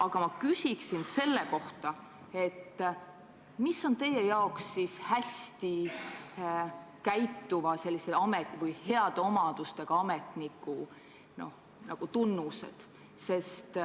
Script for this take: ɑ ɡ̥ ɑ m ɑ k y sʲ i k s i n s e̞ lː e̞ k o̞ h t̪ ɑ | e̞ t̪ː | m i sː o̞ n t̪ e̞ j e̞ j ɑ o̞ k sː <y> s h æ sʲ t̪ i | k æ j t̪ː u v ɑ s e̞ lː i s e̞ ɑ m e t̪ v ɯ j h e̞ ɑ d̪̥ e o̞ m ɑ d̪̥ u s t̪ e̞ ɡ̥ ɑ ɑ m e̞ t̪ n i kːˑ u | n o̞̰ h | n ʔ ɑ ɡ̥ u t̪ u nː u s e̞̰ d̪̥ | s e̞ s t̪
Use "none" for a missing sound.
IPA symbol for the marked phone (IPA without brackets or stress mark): i